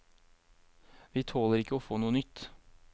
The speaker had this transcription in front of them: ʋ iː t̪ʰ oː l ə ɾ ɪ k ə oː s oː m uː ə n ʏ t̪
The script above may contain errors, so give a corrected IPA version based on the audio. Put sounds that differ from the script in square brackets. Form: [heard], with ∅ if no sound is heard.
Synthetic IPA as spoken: ʋ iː t̪ʰ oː l ə ɾ ɪ k ə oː [f] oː [n] uː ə n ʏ t̪